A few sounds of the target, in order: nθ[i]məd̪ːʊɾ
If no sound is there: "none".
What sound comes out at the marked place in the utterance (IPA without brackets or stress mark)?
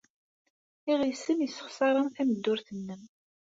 æ